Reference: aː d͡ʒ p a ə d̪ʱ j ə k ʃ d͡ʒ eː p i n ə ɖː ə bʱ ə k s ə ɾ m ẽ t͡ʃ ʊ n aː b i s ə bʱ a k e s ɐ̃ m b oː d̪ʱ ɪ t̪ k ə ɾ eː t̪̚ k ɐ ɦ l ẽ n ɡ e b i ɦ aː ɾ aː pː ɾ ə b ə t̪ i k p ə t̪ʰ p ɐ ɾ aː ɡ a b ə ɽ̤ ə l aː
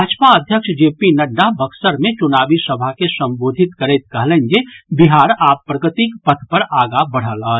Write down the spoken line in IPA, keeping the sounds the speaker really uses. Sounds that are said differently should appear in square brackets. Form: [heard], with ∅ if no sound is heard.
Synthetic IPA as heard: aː d͡ʒ p a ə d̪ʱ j ə k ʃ d͡ʒ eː p i n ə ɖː [a] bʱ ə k s ə ɾ m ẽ t͡ʃ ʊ n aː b i s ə bʱ a k e s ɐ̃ m b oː d̪ʱ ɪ t̪ k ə ɾ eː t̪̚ k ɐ ɦ l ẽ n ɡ e b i ɦ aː ɾ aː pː ɾ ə [ɡ] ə t̪ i k p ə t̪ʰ p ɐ ɾ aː ɡ a b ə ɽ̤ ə l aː